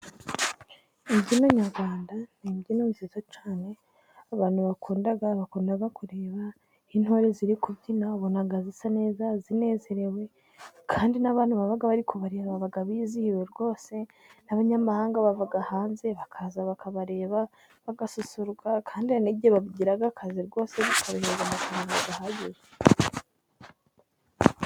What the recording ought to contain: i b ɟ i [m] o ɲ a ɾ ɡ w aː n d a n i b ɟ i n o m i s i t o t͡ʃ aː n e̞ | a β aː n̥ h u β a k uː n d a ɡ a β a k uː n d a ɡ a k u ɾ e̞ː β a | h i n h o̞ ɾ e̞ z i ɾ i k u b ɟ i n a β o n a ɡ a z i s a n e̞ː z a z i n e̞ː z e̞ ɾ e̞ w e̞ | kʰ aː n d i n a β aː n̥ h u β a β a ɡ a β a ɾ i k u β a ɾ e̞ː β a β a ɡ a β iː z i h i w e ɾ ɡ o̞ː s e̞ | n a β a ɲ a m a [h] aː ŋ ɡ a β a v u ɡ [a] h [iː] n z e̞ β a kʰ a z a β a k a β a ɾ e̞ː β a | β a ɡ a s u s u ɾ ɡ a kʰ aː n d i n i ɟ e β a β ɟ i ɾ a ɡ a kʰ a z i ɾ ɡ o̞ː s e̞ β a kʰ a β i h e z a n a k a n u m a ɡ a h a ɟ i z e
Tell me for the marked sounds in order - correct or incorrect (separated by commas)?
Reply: incorrect, correct, correct, incorrect